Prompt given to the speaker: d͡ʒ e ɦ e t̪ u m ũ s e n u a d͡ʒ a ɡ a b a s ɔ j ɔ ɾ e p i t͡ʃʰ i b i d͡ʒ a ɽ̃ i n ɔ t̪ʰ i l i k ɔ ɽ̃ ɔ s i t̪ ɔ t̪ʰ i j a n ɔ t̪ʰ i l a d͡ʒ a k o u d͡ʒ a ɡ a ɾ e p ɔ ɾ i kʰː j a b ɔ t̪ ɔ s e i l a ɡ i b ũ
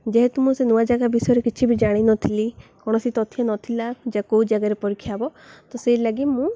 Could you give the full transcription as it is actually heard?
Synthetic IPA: d͡ʒ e ɦ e t̪ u m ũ s e n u a d͡ʒ a ɡ a b i s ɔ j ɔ ɾ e k i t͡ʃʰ i b i d͡ʒ a ɽ̃ i n ɔ t̪ʰ i l i k ɔ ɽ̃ ɔ s i t̪ ɔ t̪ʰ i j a n ɔ t̪ʰ i l a d͡ʒ a k o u d͡ʒ a ɡ a ɾ e p ɔ ɾ i kʰː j a b ɔ t̪ ɔ s e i l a ɡ i m ũ